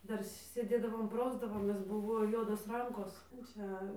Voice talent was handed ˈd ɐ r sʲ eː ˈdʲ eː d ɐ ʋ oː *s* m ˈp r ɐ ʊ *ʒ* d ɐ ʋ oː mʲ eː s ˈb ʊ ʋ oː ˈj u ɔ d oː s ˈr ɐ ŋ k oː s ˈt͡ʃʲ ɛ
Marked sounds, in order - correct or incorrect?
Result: incorrect: none, incorrect: z

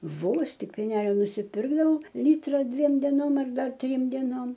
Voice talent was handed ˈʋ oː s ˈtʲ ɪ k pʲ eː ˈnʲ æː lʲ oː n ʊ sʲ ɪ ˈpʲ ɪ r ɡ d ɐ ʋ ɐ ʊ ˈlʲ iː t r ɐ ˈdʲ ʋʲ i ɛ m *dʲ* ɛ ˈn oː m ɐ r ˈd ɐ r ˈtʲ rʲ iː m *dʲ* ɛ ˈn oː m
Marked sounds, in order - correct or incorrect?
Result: correct, correct

